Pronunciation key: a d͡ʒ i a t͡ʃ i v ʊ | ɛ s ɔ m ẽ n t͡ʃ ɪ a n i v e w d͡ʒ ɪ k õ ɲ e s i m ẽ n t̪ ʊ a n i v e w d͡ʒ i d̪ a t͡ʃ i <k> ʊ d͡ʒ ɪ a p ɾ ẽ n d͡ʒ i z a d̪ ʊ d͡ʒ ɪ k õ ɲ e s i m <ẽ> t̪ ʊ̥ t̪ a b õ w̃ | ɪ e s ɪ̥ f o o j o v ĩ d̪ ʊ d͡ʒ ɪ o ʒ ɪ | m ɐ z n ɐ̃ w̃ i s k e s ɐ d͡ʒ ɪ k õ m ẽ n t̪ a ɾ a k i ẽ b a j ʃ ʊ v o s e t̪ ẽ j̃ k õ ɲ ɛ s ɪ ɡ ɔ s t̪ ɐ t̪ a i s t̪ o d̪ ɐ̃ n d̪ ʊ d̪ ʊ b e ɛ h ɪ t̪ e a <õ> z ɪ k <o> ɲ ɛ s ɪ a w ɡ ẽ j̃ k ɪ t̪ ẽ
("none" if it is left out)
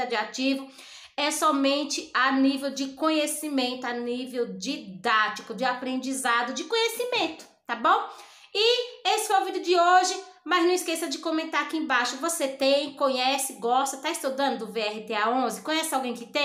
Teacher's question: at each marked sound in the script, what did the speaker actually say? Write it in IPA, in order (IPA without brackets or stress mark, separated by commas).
k, ẽ, õ, õ